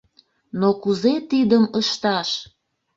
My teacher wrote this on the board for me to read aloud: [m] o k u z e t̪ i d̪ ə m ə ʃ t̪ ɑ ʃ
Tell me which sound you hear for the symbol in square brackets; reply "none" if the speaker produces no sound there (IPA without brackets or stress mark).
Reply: n